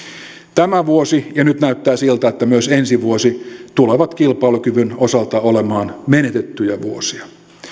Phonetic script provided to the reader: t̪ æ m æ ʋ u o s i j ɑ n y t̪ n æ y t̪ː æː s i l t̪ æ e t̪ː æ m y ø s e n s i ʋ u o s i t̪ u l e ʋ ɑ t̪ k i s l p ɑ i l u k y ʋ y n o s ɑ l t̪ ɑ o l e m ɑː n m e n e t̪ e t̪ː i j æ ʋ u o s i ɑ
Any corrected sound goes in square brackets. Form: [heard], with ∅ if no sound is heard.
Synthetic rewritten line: t̪ æ m æ ʋ u o s i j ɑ n y t̪ n æ y t̪ː æː s i l t̪ æ e t̪ː æ m y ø s e n s i ʋ u o s i t̪ u l e ʋ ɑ t̪ k i [∅] l p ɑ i l u k y ʋ y n o s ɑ l t̪ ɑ o l e m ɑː n m e n e t̪ e t̪ː [y] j æ ʋ u o s i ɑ